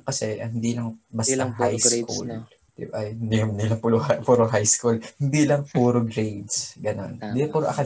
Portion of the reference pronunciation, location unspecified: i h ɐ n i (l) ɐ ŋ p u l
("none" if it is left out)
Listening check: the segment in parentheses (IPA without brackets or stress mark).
l